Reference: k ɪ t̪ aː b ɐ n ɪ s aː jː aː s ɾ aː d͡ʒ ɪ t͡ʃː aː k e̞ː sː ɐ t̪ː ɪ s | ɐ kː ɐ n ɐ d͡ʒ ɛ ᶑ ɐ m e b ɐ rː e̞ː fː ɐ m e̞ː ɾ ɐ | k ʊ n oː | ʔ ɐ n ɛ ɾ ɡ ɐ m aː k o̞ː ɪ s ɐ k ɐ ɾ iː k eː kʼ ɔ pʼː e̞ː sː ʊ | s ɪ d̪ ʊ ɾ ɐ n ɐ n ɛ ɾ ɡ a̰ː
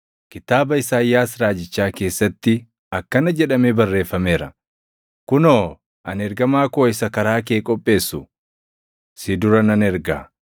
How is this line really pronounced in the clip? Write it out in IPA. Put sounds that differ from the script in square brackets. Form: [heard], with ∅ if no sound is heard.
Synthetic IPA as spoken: k ɪ t̪ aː b ɐ [∅] ɪ s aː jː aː s ɾ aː d͡ʒ ɪ t͡ʃː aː k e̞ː sː ɐ t̪ː ɪ [∅] | ɐ kː ɐ n ɐ d͡ʒ ɛ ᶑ ɐ m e b ɐ rː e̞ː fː ɐ m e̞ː ɾ ɐ | k ʊ n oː | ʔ ɐ n ɛ ɾ ɡ ɐ m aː k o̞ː ɪ s ɐ k ɐ ɾ [aː] k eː kʼ ɔ pʼː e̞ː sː ʊ | s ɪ d̪ ʊ ɾ ɐ n ɐ n ɛ ɾ ɡ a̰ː